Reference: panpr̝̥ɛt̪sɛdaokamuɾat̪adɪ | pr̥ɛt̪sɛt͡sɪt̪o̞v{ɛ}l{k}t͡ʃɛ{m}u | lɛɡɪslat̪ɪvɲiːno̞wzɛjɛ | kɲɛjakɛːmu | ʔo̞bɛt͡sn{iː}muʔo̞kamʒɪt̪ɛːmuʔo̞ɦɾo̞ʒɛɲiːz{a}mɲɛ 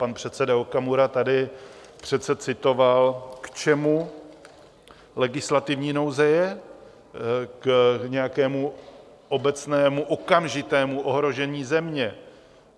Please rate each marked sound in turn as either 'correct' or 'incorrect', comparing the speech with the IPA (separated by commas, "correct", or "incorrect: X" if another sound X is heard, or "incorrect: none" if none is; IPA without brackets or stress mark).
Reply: incorrect: a, correct, correct, incorrect: ɛː, incorrect: ɛ